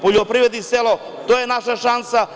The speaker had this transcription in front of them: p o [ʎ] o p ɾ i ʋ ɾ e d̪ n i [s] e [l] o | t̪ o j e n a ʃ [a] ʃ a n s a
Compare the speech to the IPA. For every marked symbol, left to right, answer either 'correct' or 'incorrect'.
correct, correct, correct, correct

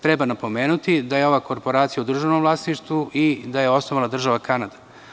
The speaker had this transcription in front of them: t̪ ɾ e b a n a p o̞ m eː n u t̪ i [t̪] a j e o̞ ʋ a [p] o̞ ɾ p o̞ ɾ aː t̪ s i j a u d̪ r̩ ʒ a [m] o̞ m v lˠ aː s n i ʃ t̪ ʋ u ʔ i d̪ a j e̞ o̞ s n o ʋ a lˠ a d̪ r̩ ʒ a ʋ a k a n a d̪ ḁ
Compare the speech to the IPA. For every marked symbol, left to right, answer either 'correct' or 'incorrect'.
incorrect: d̪, incorrect: k, incorrect: n

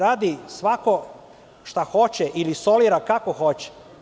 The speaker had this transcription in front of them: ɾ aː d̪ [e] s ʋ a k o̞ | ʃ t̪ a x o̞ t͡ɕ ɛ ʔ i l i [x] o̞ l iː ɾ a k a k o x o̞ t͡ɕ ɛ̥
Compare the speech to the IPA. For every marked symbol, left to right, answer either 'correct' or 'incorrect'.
incorrect: i, incorrect: s

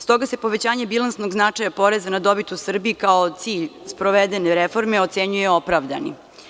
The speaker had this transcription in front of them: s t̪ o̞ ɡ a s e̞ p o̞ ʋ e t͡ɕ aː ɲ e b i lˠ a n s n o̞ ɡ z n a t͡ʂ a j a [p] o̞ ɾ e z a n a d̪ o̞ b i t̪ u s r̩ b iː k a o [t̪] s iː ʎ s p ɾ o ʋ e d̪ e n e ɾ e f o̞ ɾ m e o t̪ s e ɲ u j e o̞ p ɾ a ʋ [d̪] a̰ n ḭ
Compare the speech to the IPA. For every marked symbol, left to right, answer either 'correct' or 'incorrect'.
correct, correct, correct

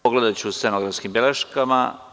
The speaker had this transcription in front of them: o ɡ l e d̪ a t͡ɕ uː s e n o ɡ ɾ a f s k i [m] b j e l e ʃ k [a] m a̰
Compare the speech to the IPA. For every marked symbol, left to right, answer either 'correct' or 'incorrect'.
correct, correct

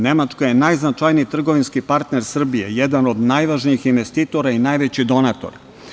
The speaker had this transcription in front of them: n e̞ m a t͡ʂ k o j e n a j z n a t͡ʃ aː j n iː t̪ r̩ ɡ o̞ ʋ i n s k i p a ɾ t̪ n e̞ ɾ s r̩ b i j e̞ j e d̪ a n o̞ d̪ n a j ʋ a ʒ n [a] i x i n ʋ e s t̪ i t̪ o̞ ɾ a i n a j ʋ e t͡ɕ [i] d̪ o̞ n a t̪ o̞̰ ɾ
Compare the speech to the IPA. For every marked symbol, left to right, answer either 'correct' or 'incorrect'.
incorrect: i, correct

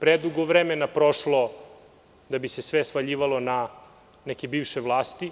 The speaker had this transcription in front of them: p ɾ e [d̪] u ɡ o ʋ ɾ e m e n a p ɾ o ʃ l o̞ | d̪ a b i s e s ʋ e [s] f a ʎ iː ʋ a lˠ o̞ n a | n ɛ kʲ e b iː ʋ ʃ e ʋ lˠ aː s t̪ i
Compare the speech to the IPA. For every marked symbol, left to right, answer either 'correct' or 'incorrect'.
correct, correct

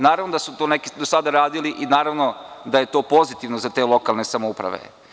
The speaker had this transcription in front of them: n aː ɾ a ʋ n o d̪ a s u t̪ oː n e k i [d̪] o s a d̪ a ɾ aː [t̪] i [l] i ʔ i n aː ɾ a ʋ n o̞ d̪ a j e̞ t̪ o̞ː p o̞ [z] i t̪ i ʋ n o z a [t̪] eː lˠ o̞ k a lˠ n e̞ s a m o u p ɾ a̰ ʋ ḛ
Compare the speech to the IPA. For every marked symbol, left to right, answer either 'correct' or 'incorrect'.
correct, incorrect: d̪, correct, correct, correct

